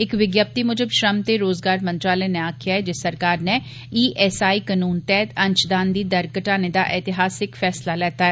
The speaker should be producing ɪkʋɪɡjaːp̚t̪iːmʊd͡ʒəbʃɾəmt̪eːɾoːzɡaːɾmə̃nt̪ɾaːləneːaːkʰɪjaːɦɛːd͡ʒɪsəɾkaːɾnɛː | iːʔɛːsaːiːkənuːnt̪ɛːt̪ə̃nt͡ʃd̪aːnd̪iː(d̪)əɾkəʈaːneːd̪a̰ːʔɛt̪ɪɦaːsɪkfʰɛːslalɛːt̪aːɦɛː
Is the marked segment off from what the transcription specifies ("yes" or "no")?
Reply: no